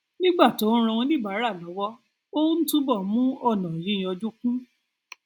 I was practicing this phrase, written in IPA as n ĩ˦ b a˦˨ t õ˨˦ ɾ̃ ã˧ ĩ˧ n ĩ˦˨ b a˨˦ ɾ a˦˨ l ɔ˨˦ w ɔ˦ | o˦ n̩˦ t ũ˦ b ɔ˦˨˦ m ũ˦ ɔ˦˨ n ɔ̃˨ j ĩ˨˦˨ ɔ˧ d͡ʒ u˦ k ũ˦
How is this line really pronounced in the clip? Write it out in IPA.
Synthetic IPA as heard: n ĩ˦ ɡ͡b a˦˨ t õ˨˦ ɾ̃ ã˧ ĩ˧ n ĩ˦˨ b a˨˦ ɾ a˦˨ l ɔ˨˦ w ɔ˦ | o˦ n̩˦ t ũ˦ b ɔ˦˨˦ m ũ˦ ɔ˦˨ n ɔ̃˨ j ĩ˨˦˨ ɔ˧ d͡ʒ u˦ k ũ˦